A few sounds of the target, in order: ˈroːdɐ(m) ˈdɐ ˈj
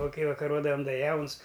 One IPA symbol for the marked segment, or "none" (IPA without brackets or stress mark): m